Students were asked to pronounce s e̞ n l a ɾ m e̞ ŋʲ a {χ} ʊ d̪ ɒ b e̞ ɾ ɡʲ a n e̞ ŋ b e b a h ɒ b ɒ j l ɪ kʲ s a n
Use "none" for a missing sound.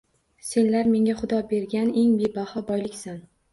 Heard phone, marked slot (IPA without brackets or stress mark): χ